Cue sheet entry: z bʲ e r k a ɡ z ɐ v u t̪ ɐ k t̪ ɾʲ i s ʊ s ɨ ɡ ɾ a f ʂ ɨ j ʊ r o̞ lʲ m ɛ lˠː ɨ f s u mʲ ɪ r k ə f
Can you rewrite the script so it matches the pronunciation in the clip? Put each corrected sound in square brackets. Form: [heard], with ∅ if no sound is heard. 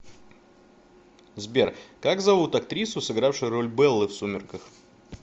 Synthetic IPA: z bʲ e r k a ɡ z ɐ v u t̪ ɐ k t̪ ɾʲ i s ʊ s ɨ ɡ ɾ a f ʂ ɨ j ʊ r o̞ lʲ [b] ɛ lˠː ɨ f s u mʲ ɪ r k ə [x]